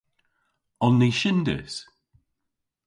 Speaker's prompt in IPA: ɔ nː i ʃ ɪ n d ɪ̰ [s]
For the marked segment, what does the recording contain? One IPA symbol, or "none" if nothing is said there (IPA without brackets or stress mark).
s